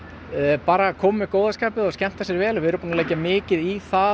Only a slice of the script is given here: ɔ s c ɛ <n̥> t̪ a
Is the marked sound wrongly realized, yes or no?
yes